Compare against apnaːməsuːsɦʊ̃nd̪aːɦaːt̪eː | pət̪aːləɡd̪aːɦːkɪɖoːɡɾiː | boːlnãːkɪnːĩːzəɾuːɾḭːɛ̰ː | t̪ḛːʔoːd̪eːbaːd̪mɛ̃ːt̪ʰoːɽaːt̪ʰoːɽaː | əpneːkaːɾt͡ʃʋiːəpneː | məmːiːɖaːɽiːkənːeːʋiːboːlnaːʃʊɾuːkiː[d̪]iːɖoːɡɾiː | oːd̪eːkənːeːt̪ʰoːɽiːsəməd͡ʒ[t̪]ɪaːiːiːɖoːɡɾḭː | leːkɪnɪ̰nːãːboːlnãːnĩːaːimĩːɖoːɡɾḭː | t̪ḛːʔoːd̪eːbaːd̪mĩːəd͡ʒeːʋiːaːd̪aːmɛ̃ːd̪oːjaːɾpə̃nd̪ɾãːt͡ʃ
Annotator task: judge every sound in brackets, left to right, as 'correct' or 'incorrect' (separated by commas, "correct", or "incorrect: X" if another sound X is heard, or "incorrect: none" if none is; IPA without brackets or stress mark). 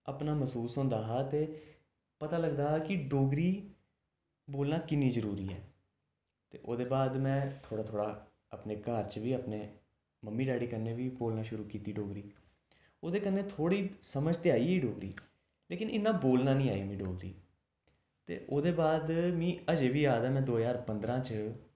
incorrect: t̪, correct